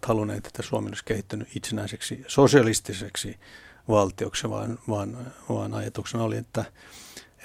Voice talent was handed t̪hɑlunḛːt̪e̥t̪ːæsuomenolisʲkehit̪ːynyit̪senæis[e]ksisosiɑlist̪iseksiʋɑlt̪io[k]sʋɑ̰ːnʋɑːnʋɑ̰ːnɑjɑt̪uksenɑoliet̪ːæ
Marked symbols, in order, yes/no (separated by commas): yes, yes